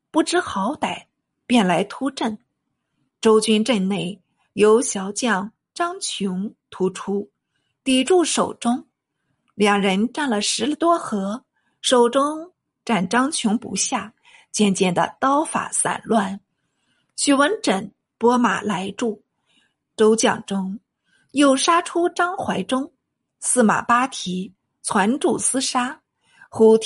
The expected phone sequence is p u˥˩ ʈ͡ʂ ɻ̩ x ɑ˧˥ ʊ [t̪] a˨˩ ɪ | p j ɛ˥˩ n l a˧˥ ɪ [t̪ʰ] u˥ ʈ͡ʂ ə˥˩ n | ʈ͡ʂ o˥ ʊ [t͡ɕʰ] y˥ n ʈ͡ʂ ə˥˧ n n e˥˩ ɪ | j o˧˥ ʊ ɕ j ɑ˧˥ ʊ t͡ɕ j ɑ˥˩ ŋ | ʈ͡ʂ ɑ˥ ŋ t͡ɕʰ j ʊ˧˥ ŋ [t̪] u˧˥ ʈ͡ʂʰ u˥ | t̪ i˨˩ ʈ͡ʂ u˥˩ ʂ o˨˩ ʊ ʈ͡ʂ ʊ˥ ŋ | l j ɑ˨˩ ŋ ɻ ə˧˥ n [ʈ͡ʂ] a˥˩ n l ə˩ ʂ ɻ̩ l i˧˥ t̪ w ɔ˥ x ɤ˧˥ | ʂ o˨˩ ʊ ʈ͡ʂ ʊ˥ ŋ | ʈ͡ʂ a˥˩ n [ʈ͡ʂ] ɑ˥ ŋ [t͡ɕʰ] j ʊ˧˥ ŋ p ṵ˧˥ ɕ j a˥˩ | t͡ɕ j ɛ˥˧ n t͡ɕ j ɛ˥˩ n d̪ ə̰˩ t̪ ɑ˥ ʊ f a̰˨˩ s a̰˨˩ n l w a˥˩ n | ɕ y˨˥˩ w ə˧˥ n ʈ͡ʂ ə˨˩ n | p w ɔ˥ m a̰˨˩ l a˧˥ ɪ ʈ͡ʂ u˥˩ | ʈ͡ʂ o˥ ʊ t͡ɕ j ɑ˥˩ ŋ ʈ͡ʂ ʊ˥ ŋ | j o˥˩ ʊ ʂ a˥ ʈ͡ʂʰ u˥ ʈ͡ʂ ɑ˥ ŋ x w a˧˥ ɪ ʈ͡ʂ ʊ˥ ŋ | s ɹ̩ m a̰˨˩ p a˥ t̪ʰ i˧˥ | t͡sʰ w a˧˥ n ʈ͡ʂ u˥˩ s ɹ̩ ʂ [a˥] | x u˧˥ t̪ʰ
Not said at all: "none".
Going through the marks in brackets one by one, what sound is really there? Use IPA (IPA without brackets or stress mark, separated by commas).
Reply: t̪, t̪ʰ, t͡ɕ, t̪ʰ, ʈ͡ʂ, ʈ͡ʂ, t͡ɕʰ, a˥